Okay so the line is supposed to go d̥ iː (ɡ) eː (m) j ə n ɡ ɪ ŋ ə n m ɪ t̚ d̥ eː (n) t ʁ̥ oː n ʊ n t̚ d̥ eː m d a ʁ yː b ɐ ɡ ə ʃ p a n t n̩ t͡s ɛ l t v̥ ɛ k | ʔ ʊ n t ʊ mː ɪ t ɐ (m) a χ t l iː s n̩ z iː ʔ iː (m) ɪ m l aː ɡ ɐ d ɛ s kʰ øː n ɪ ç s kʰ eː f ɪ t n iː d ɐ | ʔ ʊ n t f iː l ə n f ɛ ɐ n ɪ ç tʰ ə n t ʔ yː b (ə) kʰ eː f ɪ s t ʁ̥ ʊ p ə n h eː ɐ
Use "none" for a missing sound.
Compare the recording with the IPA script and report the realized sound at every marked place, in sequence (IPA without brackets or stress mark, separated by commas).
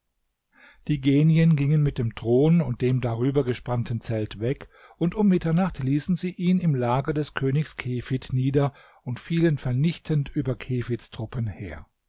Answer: ɡ, n, m, n, n, ɐ